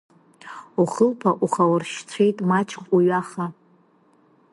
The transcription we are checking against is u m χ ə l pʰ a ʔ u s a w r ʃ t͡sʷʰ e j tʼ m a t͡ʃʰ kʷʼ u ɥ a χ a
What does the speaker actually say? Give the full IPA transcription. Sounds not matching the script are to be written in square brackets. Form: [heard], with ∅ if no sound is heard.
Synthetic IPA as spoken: u [∅] χ ə l pʰ a ʔ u [χ] a w r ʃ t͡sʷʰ e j tʼ m a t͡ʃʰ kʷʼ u ɥ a χ a